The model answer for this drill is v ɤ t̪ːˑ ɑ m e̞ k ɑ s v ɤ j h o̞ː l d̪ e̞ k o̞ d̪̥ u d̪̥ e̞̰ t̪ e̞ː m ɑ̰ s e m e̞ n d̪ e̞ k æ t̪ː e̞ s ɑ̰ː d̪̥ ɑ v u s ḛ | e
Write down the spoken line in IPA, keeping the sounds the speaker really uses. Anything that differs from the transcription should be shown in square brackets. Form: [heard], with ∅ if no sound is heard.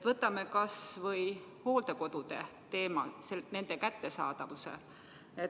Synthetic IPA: v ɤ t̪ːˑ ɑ m e̞ k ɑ s v ɤ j h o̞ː l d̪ e̞ k o̞ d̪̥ u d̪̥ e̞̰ t̪ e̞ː m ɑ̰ s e [n] e̞ n d̪ e̞ k æ t̪ː e̞ s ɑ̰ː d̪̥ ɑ v u s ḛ | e